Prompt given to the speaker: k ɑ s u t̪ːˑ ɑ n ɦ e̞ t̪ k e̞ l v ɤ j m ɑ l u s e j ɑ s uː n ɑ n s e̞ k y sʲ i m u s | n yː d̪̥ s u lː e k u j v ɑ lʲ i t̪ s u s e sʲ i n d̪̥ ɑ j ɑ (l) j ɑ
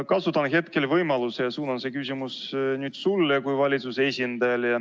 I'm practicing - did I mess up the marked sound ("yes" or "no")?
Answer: no